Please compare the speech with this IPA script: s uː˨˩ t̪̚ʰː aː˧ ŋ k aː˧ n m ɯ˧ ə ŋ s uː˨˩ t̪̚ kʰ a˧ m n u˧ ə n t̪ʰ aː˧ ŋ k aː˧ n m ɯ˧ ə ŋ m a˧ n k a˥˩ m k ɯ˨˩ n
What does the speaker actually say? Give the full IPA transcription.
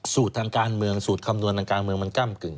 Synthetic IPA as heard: s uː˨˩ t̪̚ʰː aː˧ ŋ k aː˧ n m ɯ˧ ə ŋ s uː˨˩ t̪̚ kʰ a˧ m n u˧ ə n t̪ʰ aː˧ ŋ k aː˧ n m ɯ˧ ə ŋ m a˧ n k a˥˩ m k ɯ˨˩ ŋ

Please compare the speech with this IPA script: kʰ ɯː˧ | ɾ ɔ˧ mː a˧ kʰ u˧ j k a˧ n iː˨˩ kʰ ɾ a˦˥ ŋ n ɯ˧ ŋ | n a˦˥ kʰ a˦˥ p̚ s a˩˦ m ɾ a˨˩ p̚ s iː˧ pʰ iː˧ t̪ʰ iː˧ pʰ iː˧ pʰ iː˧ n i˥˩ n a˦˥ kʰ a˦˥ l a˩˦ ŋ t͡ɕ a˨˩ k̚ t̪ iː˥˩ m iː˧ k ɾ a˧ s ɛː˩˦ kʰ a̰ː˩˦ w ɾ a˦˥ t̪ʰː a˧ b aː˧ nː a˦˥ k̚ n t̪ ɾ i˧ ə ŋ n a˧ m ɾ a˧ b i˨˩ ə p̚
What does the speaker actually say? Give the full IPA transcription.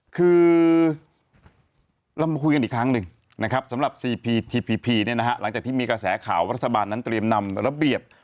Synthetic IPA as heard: kʰ ɯː˧ | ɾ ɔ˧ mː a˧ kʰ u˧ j k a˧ n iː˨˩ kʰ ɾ a˦˥ ŋ n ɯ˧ ŋ | n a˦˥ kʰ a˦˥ p̚ s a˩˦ m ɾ a˨˩ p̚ s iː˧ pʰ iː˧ t̪ʰ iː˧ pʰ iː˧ pʰ iː˧ n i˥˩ n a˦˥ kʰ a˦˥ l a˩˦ ŋ t͡ɕ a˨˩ k̚ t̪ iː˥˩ m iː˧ k ɾ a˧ s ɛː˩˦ kʰ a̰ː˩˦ w ɾ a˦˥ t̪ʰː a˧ b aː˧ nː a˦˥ n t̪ ɾ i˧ ə m n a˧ m ɾ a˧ b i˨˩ ə p̚

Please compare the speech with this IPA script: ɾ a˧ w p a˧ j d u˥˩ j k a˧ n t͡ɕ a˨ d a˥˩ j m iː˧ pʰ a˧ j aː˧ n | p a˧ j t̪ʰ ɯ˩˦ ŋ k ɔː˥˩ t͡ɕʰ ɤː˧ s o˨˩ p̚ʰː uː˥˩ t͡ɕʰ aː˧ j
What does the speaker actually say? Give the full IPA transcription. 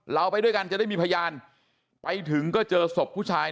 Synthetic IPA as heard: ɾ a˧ w p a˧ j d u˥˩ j k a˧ n t͡ɕ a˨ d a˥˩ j m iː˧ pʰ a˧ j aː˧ n | p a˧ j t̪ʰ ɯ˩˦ ŋ k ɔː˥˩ t͡ɕ ɤː˧ s o˨˩ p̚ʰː uː˥˩ t͡ɕʰ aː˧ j

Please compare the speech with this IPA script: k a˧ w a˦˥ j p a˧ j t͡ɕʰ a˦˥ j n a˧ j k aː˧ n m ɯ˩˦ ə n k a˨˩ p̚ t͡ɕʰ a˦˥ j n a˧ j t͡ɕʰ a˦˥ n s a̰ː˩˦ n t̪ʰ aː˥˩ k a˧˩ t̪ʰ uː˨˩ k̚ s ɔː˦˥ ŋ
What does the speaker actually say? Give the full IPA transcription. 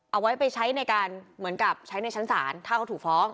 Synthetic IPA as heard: ʔ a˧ w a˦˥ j p a˧ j t͡ɕʰ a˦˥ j n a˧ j k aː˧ n m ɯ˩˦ ə n k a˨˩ p̚ t͡ɕʰ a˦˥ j n a˧ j t͡ɕʰ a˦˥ n s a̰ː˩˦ n t̪ʰ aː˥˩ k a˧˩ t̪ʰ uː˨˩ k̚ f ɔː˦˥ ŋ

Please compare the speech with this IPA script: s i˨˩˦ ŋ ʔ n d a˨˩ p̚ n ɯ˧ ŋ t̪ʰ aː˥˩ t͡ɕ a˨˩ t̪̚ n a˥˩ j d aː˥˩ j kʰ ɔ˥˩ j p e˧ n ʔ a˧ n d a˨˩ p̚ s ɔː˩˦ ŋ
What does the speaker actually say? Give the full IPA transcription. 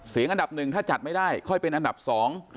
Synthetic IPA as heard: s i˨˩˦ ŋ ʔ n d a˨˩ p̚ n ɯ˨˩ ŋ t̪ʰ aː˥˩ t͡ɕ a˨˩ t̪̚ m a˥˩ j d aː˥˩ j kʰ ɔ˥˩ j p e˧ n ʔ a˧ n d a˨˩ p̚ s ɔː˩˦ ŋ

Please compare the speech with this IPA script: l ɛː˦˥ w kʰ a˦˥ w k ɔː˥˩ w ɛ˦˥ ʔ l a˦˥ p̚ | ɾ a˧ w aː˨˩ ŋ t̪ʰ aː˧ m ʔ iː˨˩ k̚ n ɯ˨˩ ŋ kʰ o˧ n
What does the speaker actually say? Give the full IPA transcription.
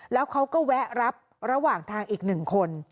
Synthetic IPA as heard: l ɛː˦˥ w kʰ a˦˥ w k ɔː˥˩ w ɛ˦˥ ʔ ɾ a˦˥ p̚ | ɾ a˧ w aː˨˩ ŋ t̪ʰ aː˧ ŋ ʔ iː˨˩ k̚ n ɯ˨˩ ŋ kʰ o˧ n

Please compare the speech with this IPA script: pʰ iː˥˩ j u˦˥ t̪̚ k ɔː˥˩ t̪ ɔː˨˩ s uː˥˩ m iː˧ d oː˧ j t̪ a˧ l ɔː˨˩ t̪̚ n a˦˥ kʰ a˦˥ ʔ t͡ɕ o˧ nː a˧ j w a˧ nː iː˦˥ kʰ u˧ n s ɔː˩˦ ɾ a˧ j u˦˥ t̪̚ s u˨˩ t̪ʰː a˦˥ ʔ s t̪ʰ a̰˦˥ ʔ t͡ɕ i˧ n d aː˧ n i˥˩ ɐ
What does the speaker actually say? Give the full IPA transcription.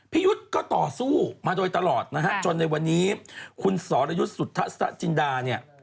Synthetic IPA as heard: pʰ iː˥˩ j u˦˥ t̪̚ k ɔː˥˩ t̪ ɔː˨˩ s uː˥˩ m aː˧ d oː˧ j t̪ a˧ l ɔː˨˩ t̪̚ n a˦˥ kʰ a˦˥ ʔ t͡ɕ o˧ nː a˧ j w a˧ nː iː˦˥ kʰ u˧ n s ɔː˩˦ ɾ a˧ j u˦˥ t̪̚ s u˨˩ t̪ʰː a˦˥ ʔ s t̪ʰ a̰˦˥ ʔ t͡ɕ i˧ n d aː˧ n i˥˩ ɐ

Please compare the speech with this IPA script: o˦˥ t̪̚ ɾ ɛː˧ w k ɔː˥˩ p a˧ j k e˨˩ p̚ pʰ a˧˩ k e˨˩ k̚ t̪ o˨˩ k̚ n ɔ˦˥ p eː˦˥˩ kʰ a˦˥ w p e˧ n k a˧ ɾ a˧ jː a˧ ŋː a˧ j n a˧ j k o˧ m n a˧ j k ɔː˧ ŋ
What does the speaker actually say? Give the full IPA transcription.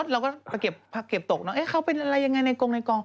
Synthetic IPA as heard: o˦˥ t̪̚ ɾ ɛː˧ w k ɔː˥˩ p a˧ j k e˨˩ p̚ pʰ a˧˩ k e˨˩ p̚ t̪ o˨˩ k̚ n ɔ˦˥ ʔ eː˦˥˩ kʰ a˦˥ w p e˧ n ʔ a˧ ɾ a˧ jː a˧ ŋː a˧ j n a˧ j k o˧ ŋ n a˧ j k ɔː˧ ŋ

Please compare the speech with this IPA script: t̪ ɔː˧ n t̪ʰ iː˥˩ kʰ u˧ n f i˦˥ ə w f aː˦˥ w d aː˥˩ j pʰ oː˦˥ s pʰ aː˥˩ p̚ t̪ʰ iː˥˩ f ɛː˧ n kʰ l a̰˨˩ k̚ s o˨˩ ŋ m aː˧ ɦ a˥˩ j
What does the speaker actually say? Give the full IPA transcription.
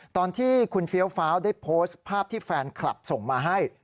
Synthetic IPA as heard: t̪ ɔː˧ n t̪ʰ iː˥˩ kʰ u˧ n f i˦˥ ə w f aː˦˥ w d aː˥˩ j pʰ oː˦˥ s pʰ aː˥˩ p̚ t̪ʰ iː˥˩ f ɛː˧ n kʰ l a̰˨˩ p̚ s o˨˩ ŋ m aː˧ ɦ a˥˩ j

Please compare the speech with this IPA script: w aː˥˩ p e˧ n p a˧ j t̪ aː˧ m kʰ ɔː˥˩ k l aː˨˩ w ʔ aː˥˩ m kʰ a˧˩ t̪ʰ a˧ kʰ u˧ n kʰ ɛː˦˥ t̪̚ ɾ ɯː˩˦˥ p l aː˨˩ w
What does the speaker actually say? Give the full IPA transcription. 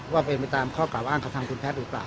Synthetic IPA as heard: w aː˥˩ p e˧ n p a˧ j t̪ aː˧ m kʰ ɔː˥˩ k l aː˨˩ w ʔ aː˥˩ ŋ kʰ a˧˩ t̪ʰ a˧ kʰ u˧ n pʰ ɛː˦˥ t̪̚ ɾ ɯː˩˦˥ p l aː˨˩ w

